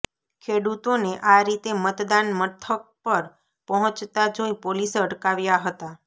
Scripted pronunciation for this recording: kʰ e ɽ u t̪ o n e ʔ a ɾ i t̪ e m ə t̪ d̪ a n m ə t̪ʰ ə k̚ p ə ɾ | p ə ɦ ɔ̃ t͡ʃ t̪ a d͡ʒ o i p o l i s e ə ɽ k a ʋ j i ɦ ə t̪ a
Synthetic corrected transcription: kʰ e ɽ u t̪ o n e ʔ a ɾ i t̪ e m ə t̪ d̪ a n m ə t̪ʰ ə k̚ p ə ɾ | p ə ɦ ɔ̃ t͡ʃ t̪ a d͡ʒ o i p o l i s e ə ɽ k a ʋ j a ɦ ə t̪ a